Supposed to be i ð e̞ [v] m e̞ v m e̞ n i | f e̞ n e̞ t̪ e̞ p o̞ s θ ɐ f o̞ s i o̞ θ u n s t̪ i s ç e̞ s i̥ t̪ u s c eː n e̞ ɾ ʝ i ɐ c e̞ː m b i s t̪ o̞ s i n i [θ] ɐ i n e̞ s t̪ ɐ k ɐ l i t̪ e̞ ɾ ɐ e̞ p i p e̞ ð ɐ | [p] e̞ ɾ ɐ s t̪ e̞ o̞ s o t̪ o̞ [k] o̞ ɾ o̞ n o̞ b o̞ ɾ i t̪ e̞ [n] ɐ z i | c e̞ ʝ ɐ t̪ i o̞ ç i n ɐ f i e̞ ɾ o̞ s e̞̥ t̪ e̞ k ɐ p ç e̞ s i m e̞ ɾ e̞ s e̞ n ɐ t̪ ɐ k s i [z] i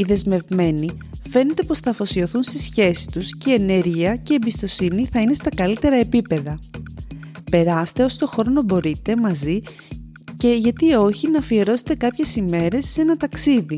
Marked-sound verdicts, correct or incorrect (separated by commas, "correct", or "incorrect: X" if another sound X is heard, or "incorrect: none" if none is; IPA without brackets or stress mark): incorrect: z, correct, correct, incorrect: x, incorrect: m, incorrect: ð